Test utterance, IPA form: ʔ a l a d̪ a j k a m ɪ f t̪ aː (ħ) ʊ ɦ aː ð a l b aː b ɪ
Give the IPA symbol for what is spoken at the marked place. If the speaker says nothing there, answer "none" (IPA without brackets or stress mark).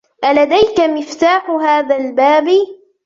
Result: ħ